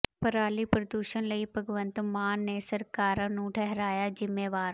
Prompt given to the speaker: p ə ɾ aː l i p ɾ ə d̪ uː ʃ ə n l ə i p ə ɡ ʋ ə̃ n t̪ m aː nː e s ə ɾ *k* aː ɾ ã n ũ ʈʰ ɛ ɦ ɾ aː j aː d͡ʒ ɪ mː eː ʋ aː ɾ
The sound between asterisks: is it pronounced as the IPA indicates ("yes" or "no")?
yes